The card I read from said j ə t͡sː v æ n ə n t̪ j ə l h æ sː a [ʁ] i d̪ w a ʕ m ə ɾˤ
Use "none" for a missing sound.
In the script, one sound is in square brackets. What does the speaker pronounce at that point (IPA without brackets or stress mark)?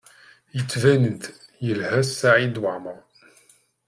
ʕ